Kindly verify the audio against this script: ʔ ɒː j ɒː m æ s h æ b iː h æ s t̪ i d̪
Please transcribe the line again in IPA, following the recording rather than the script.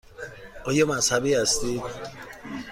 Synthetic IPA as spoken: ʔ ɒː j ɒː m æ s h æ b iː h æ s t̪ i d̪

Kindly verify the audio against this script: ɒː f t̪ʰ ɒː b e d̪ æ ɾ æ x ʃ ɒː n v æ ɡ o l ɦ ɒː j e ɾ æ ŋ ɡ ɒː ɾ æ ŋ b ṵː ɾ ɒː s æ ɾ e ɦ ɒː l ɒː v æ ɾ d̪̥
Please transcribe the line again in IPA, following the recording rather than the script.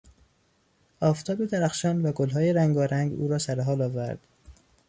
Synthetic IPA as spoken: ɒː f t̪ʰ ɒː b e d̪ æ ɾ æ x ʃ ɒː n v æ ɡ o l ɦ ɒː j e ɾ æ ŋ ɡ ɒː ɾ æ ŋ ɡ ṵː ɾ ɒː s æ ɾ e ɦ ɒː l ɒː v æ ɾ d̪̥

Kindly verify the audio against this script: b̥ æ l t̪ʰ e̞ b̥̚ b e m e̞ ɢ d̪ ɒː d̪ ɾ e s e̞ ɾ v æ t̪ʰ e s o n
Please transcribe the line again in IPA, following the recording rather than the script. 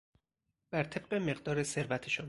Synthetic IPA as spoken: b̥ æ ɾ t̪ʰ e̞ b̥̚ ɢ e m e̞ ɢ d̪ ɒː ɾ e s e̞ ɾ v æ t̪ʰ e ʃ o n

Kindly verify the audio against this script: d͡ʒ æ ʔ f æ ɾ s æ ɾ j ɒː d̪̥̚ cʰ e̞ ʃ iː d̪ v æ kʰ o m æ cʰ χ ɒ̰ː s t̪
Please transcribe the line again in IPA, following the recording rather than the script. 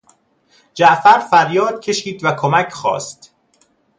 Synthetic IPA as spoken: d͡ʒ æ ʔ f æ ɾ f æ ɾ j ɒː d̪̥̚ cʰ e̞ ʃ iː d̪ v æ kʰ o m æ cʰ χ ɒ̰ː s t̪

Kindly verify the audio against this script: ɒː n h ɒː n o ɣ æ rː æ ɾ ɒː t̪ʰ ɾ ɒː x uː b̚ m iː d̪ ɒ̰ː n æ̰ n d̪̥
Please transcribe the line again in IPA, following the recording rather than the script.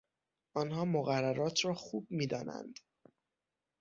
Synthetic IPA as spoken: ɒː n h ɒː m o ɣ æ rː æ ɾ ɒː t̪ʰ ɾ ɒː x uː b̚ m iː d̪ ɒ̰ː n æ̰ n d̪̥

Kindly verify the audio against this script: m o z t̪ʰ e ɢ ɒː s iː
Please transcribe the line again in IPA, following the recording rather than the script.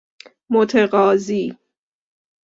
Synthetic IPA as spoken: m o t̪ʰ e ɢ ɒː z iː

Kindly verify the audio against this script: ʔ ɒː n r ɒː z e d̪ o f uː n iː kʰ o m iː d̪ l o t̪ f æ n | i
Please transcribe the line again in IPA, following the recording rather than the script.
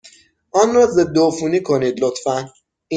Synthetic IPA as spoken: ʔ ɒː n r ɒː z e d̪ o f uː n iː kʰ o n iː d̪ l o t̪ f æ n | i

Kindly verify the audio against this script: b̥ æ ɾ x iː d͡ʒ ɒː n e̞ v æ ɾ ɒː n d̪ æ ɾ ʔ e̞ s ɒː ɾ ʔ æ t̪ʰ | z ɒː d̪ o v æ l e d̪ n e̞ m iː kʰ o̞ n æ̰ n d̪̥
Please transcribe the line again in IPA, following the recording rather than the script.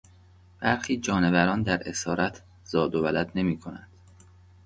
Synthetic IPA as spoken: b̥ æ ɾ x iː d͡ʒ ɒː n e̞ v æ ɾ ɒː n d̪ æ ɾ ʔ e̞ s ɒː ɾ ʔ æ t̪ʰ | z ɒː d̪ o v æ l æ d̪ n e̞ m iː kʰ o̞ n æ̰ n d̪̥

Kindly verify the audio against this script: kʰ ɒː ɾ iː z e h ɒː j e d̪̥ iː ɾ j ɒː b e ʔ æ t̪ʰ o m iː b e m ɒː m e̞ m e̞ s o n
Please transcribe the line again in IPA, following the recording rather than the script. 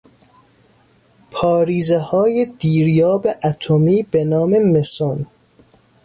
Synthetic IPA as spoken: pʰ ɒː ɾ iː z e h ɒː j e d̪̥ iː ɾ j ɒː b e ʔ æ t̪ʰ o m iː b e n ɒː m e̞ m e̞ s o n

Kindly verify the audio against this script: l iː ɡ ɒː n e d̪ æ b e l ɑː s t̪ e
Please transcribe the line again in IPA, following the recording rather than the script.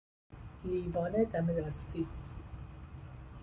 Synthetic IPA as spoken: l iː b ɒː n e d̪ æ m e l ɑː s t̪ i

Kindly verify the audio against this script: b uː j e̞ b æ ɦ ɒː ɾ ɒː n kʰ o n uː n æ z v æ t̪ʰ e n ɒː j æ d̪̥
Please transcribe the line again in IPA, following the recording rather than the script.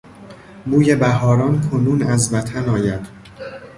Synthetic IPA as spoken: b uː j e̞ b æ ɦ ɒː ɾ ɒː n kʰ o n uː n æ z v æ t̪ʰ æ n ɒː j æ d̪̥

